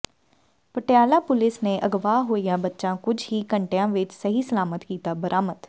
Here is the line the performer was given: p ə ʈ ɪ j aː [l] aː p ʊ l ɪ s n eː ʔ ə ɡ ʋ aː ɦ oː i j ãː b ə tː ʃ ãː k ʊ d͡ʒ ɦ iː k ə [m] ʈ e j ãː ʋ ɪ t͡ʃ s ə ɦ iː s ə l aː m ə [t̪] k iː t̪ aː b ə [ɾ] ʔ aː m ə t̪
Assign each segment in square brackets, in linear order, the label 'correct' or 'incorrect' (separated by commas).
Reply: correct, incorrect, correct, correct